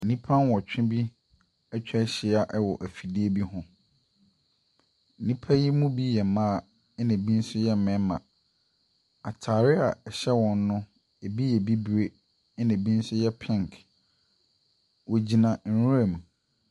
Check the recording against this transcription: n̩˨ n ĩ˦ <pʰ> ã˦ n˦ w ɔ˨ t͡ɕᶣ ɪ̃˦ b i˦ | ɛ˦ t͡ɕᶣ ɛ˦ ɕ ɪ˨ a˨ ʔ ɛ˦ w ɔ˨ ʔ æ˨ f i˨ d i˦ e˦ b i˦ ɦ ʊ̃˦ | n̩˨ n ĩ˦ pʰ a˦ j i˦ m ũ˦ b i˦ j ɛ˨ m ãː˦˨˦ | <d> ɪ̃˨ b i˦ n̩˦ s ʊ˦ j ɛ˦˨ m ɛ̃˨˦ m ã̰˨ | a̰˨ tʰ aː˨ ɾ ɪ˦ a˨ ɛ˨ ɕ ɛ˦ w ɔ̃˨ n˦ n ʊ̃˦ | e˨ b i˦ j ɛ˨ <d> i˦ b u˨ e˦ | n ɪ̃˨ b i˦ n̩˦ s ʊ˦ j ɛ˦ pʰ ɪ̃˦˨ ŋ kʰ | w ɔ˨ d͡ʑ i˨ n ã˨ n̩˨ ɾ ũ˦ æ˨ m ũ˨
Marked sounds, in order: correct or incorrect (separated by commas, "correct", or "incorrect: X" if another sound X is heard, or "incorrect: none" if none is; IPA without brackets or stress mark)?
correct, incorrect: n, incorrect: b